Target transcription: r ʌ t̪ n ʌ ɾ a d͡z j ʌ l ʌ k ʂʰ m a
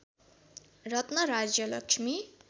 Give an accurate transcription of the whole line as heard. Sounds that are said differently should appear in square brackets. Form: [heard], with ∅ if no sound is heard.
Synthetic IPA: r ʌ t̪ n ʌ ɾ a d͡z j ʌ l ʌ k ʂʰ m [i]